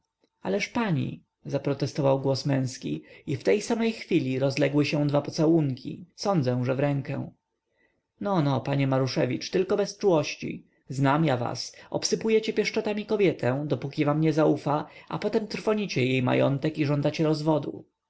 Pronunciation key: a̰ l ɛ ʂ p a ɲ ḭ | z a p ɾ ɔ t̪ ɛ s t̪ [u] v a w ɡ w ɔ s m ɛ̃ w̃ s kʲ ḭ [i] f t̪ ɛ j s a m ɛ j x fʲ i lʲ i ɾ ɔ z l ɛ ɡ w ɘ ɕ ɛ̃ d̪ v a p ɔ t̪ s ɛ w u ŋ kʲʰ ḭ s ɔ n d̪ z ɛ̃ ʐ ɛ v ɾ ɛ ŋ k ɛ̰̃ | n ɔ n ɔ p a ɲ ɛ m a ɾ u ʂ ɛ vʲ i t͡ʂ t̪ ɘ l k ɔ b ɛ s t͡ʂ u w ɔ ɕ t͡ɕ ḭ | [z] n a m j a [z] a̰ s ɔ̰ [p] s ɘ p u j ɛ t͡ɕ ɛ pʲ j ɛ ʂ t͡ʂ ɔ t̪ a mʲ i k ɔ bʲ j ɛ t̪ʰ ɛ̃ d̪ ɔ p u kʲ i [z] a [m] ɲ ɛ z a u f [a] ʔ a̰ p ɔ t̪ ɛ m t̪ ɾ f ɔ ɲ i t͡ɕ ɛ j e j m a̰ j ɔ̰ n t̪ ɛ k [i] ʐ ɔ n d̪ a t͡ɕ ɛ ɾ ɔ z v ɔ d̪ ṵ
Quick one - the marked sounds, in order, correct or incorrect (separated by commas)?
incorrect, correct, correct, incorrect, correct, incorrect, correct, correct, correct